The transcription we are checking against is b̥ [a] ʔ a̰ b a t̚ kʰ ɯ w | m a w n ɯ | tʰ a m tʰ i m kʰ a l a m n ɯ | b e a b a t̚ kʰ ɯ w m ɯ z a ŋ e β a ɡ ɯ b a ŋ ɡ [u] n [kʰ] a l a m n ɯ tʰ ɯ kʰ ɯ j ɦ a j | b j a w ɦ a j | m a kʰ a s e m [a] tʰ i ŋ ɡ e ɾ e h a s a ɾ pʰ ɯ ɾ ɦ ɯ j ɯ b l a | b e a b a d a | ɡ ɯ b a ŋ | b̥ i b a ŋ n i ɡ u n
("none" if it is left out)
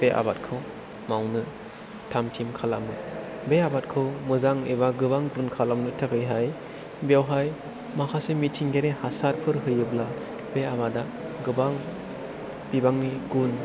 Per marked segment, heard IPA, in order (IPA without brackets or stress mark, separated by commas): e, u, kʰ, i